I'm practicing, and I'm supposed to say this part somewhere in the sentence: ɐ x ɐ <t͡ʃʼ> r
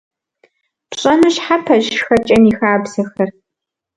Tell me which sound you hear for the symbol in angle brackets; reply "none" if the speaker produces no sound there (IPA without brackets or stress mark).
none